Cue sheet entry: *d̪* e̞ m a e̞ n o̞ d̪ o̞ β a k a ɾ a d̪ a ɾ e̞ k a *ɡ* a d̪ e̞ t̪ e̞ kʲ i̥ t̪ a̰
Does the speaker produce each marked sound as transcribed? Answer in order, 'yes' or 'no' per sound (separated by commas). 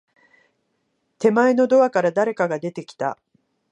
no, yes